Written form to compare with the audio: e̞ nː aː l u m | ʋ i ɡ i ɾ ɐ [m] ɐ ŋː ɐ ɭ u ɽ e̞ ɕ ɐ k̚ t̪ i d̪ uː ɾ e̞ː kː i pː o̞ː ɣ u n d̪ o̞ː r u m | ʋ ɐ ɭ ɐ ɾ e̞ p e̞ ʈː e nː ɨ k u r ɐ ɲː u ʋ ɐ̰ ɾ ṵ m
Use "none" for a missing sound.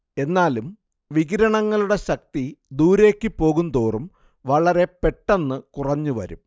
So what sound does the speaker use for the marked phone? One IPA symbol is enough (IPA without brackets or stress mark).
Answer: ɳ